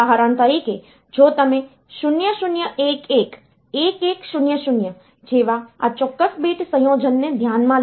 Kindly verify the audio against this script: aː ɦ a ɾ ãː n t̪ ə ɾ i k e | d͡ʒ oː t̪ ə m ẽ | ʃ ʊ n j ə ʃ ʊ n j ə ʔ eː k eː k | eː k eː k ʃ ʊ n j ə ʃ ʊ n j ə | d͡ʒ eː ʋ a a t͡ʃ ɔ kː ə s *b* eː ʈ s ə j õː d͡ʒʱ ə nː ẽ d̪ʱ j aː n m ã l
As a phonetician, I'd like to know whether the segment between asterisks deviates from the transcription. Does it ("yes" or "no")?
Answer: no